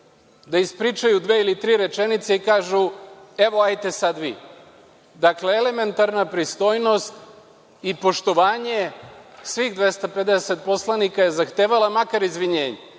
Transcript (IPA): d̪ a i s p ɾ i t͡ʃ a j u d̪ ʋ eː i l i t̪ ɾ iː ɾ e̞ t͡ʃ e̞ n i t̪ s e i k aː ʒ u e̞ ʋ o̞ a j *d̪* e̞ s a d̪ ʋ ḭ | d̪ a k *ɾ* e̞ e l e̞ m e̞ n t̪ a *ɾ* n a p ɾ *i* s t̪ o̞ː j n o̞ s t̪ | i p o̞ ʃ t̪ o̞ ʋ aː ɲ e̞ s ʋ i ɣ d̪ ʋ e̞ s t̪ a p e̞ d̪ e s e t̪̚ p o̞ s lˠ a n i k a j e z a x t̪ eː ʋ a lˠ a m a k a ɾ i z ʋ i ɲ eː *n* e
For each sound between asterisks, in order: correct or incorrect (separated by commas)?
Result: incorrect, incorrect, correct, correct, incorrect